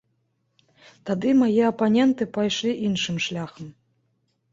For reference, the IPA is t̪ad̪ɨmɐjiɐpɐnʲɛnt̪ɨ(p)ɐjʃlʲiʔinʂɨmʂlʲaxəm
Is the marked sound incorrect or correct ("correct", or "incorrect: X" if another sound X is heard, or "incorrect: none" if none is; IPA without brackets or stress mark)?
correct